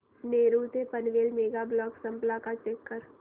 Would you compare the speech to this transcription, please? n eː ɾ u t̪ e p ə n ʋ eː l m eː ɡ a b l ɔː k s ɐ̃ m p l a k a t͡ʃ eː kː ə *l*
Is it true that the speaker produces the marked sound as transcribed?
no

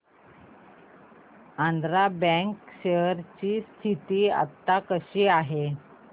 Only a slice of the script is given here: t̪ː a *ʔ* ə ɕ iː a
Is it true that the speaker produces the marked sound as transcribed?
no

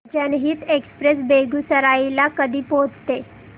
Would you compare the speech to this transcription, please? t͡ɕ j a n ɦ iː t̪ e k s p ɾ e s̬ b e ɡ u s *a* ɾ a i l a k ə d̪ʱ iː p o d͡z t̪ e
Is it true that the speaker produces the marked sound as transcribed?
no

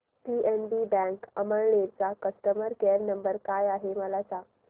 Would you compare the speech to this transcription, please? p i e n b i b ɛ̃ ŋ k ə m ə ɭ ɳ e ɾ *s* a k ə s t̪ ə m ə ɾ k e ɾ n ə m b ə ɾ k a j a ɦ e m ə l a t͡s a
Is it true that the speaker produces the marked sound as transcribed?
no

